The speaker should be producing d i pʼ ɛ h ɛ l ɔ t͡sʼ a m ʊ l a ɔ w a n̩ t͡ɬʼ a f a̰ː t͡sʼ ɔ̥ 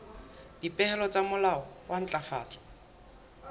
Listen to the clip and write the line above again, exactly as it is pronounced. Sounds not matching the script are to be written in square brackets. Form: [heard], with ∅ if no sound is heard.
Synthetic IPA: d i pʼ ɛ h ɛ l ɔ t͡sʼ a m ʊ l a ɔ w a n̩ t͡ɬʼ a f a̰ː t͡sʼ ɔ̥

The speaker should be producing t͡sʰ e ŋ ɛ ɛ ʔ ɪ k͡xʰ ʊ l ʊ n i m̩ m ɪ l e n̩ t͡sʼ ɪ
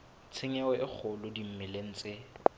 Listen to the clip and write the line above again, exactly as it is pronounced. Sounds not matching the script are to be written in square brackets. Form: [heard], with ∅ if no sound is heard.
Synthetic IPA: t͡sʰ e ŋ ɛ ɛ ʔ ɪ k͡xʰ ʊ l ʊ [d] i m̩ m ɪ l e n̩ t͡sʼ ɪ

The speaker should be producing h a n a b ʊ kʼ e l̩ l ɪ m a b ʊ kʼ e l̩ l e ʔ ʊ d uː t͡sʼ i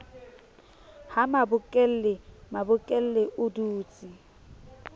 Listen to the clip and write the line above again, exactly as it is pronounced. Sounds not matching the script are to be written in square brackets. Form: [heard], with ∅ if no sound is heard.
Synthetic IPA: h a [m] a b ʊ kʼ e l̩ l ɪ m a b ʊ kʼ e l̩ l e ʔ ʊ d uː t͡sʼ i

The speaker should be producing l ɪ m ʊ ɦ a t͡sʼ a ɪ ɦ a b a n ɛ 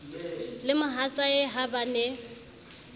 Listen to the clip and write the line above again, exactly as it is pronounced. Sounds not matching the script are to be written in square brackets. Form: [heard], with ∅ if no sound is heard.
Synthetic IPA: l ɪ m ʊ ɦ a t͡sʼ a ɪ ɦ a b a n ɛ

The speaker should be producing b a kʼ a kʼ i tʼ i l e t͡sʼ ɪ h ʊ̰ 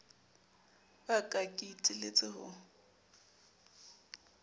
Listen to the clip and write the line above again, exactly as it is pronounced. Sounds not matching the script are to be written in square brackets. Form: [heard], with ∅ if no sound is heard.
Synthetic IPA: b a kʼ a kʼ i tʼ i l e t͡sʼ ɪ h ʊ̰

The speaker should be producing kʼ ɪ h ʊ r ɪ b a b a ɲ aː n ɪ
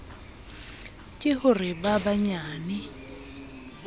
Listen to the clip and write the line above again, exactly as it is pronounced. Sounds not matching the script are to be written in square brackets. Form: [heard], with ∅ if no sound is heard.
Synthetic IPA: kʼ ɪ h ʊ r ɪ b a b a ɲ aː n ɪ

